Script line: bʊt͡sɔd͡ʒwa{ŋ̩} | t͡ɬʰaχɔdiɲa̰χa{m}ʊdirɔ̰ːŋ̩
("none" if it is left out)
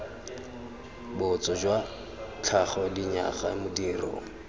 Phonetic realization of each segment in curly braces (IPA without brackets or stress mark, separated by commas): none, m